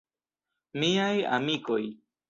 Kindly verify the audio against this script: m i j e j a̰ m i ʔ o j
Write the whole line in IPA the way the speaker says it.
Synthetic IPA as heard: m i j a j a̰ m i k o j

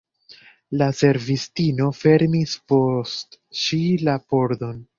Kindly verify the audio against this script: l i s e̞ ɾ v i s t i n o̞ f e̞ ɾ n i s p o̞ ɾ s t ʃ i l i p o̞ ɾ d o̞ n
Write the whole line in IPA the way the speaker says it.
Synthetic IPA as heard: l a s e̞ ɾ v i s t i n o̞ f e̞ ɾ m i s p o̞ s t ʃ i l a p o̞ ɾ d o̞ n

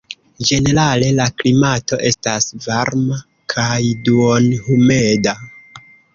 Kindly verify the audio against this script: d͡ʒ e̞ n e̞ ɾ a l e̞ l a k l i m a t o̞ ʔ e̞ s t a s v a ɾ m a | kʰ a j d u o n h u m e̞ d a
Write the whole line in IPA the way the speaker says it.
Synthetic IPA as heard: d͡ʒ e̞ n e̞ ɾ a l e̞ l a k l i m a t o̞ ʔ e̞ s t a s v a ɾ m a | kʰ a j d u o n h u m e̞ d a

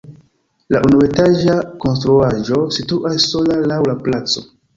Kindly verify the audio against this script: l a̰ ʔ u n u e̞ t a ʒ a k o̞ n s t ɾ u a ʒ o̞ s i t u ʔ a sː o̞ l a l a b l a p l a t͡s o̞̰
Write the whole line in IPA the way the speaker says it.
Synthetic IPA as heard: l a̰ ʔ u n u e̞ t a ʒ a k o̞ n s t ɾ u a ʒ o̞ s i t u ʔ a sː o̞ l a l a w l a p l a t͡s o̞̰

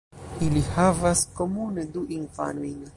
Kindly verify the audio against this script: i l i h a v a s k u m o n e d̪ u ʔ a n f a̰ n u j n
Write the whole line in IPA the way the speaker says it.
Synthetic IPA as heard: i l i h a v a s k o m u n e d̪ u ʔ i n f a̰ n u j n

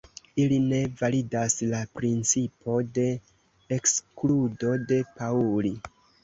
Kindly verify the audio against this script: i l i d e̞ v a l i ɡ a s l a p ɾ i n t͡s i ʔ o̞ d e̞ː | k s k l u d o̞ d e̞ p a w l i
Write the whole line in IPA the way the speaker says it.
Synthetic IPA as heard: i l i n e̞ v a l i d a s l a p ɾ i n t͡s i p o̞ d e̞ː | k s k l u d o̞ d e̞ p a u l i

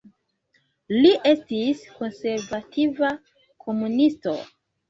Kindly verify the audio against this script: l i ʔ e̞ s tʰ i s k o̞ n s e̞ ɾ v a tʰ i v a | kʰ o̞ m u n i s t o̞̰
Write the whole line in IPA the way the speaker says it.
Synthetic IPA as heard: l i ʔ e̞ s t i s k o̞ n s e̞ ɾ v a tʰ i v a | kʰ o̞ m u n i s t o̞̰

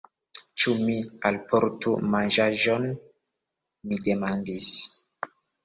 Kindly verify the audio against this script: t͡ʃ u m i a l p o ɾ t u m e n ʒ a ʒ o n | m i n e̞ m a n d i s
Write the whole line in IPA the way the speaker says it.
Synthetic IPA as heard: t͡ʃ u m i a l p o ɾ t u m a n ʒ a ʒ o n | m i d e̞ m a n d i s

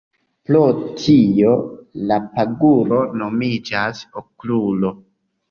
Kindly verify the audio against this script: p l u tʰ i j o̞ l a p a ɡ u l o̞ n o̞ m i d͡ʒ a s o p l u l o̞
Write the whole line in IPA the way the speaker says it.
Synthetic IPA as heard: p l o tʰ i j o̞ l a p a ɡ u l o̞ n o̞ m i d͡ʒ a s o k l u l o̞

